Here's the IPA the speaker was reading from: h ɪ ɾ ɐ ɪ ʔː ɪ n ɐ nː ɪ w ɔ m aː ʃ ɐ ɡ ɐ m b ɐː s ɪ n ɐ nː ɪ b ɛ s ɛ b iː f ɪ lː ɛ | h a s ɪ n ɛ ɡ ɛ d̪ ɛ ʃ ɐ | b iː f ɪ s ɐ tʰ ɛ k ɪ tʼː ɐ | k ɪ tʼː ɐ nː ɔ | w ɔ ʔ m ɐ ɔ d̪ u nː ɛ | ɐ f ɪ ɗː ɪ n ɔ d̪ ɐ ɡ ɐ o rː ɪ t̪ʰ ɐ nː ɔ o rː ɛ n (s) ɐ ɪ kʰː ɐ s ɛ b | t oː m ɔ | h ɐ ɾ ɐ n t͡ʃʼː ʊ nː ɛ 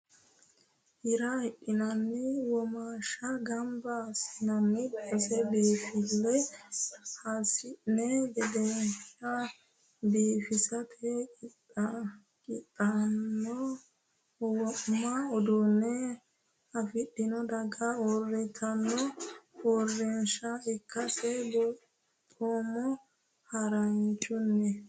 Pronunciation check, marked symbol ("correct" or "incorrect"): incorrect